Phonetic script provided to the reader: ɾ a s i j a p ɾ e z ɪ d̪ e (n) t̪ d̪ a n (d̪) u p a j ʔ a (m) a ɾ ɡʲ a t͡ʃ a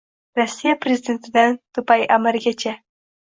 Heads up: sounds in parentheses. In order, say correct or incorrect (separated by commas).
correct, incorrect, correct